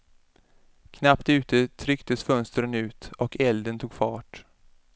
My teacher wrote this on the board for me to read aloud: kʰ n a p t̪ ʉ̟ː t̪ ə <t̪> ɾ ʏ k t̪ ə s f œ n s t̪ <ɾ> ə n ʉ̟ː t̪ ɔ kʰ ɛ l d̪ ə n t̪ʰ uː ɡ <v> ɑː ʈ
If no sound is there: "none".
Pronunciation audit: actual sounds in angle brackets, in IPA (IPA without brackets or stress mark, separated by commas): t̪ʰ, ɾ, f